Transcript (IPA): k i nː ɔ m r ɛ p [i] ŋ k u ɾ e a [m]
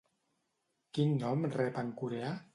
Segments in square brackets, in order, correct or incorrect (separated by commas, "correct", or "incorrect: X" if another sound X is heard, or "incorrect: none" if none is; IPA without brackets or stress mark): incorrect: a, incorrect: none